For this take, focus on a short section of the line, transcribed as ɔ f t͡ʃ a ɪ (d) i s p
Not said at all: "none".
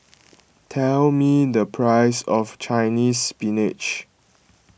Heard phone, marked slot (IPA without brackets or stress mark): n